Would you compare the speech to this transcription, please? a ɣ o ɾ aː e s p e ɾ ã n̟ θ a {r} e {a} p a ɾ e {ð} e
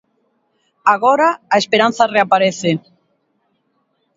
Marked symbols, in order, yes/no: yes, yes, no

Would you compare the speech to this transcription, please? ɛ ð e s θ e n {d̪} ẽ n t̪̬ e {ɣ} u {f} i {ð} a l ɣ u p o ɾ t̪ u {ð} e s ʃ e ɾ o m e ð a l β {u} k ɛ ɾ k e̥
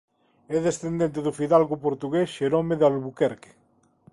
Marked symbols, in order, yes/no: yes, no, yes, yes, no, yes

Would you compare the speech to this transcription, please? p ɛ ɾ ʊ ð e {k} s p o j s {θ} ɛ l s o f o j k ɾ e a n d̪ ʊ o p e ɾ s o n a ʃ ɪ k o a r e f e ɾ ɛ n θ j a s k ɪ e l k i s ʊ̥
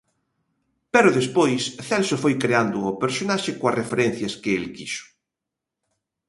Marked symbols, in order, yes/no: no, yes

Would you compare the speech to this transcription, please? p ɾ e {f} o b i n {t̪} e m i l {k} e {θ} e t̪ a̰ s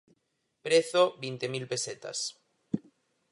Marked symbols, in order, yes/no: no, yes, no, no

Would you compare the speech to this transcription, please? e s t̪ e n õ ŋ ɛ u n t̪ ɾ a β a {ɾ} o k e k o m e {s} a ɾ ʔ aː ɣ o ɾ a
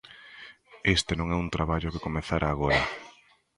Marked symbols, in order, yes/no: no, no

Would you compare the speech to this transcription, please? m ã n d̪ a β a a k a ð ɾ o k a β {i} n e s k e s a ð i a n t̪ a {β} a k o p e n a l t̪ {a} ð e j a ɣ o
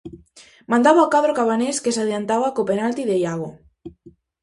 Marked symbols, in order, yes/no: no, yes, no

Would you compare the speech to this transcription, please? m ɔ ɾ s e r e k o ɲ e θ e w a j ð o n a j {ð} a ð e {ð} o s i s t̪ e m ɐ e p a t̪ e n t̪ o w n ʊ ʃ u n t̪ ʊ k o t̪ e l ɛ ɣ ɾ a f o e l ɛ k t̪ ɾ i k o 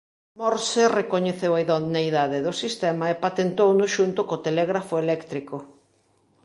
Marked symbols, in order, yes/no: yes, yes

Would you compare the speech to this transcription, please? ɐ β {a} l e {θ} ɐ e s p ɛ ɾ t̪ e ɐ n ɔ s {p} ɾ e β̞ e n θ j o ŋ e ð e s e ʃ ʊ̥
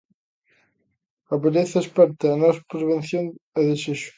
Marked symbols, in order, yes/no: no, yes, yes

